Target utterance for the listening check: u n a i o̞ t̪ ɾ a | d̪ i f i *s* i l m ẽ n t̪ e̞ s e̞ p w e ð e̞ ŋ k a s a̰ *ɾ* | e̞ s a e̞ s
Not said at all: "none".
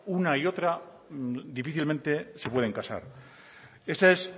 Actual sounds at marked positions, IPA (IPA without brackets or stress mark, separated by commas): θ, ɾ